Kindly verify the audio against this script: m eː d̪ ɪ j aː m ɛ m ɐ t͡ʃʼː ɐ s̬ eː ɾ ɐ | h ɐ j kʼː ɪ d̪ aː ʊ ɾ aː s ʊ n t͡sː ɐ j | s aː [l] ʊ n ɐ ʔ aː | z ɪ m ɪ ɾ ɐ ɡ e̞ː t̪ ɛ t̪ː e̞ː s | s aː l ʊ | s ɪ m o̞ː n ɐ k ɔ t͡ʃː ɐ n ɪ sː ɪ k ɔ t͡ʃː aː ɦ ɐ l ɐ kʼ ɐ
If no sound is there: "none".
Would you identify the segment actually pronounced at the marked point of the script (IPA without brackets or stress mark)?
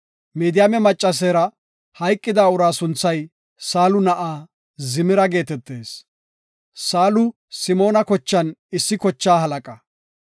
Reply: l